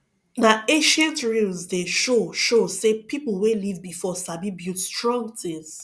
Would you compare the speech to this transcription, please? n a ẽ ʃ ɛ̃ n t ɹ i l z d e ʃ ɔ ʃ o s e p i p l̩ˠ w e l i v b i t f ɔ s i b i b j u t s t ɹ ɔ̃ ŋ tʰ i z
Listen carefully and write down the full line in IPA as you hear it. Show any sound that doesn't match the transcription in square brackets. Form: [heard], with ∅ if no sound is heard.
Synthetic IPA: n a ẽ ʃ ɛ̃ n t ɹ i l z d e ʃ [o] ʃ o s e p i p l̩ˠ w e l i v b i [∅] f ɔ s [a] b i b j u t s t ɹ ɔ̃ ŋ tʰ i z